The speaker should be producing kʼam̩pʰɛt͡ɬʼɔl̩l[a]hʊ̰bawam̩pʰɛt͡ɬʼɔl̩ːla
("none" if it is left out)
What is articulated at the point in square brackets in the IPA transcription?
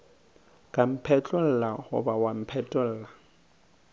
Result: a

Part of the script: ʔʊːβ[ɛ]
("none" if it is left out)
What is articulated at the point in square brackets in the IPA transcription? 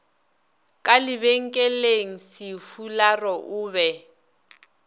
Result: ɛ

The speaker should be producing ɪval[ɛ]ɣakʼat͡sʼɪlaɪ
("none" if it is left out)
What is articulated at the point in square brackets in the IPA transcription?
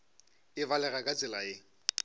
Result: ɛ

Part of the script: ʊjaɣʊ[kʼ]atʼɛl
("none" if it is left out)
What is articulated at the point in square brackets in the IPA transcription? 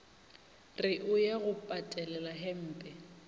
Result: pʼ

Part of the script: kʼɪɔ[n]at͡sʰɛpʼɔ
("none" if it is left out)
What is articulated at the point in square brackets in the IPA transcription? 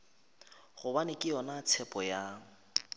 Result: n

